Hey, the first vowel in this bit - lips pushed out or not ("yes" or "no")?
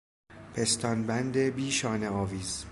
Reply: no